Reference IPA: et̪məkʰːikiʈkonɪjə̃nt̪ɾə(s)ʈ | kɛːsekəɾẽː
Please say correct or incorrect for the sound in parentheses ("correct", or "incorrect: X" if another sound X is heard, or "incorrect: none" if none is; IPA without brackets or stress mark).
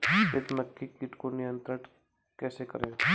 incorrect: none